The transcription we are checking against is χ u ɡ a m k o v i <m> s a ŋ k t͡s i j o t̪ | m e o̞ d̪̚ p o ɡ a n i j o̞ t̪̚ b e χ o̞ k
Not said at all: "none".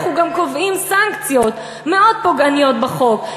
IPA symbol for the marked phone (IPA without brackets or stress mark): m